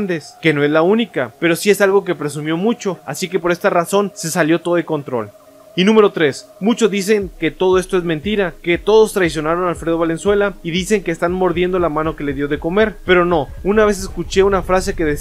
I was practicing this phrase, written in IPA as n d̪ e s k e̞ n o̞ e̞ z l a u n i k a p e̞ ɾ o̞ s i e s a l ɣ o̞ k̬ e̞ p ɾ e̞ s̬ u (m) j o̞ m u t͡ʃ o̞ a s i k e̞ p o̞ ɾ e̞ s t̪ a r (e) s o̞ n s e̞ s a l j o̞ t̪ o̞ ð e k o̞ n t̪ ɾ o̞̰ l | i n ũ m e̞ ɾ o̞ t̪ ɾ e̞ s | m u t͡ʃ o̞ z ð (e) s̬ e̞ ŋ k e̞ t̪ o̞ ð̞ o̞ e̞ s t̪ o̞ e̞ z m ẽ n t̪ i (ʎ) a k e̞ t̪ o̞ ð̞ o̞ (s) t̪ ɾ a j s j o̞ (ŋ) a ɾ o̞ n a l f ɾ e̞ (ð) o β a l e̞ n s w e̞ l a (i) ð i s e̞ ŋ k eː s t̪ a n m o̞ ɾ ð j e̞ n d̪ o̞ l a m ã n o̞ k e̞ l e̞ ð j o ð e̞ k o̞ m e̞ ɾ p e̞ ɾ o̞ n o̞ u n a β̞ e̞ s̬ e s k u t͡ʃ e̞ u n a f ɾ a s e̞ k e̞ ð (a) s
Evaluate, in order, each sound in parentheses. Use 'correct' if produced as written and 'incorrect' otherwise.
correct, incorrect: a, incorrect: i, incorrect: ɾ, correct, incorrect: n, correct, correct, incorrect: e

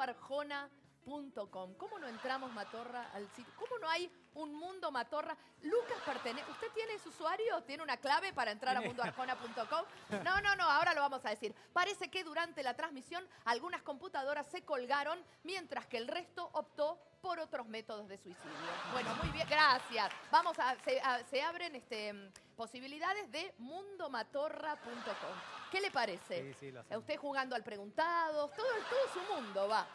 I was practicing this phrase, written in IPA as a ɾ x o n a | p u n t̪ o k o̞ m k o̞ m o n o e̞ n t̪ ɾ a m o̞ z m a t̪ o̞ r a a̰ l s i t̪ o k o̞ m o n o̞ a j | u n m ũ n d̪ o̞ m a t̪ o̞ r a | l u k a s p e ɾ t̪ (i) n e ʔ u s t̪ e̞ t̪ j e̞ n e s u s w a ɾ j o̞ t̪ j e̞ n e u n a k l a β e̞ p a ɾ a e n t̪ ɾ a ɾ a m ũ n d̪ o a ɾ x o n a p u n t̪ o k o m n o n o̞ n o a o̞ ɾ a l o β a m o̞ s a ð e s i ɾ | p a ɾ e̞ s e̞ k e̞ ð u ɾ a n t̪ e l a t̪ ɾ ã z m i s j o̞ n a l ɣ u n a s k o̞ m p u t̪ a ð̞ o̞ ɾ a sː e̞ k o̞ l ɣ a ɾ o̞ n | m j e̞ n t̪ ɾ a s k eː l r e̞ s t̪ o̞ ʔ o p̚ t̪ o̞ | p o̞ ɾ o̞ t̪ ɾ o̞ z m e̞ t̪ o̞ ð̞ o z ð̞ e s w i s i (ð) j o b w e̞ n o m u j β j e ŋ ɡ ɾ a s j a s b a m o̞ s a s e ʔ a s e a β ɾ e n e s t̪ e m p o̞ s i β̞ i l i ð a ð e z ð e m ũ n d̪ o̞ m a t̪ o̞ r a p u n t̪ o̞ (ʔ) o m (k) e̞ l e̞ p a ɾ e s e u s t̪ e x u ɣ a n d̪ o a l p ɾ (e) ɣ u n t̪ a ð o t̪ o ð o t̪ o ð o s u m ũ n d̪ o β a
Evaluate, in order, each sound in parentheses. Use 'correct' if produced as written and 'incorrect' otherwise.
incorrect: e, correct, incorrect: k, correct, correct

